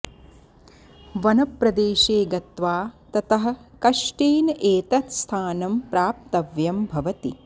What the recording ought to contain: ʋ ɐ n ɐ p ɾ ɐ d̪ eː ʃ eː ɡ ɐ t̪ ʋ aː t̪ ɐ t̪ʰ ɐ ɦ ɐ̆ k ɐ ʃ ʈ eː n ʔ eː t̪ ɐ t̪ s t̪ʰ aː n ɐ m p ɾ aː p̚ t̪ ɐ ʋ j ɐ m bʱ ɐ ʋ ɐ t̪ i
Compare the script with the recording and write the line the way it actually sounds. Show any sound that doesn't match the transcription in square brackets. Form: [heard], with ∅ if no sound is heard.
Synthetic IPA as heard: ʋ ɐ n ɐ p ɾ ɐ d̪ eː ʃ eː ɡ ɐ t̪ ʋ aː t̪ ɐ [t̪] ɐ ɦ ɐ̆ k ɐ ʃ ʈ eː n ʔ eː t̪ ɐ t̪ s t̪ʰ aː n ɐ m p ɾ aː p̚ t̪ ɐ ʋ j ɐ m bʱ ɐ ʋ ɐ t̪ i